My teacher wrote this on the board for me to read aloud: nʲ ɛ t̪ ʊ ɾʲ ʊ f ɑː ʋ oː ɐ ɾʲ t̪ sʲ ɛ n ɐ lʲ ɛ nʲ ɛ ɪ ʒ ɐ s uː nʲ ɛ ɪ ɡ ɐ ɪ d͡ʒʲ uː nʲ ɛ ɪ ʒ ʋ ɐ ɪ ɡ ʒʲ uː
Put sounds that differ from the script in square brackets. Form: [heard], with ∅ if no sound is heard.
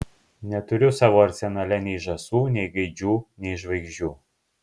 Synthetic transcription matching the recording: nʲ ɛ t̪ ʊ ɾʲ ʊ [s] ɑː ʋ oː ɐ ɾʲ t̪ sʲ ɛ n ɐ lʲ ɛ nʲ ɛ ɪ ʒ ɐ s uː nʲ ɛ ɪ ɡ ɐ ɪ d͡ʒʲ uː nʲ ɛ ɪ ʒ ʋ ɐ ɪ ɡ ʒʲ uː